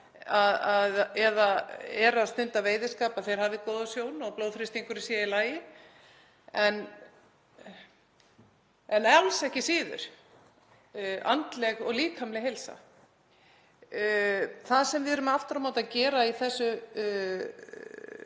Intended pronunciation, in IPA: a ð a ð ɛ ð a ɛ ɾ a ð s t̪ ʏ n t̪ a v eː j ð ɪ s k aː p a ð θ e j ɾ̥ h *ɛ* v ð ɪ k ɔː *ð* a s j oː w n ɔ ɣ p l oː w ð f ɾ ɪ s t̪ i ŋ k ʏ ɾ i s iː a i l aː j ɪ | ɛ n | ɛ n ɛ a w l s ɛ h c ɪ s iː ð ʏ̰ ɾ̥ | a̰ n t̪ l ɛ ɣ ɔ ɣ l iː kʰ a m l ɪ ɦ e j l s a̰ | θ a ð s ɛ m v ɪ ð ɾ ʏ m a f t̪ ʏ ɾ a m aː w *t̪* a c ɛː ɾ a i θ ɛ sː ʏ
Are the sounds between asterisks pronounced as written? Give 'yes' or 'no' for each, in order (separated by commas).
no, yes, yes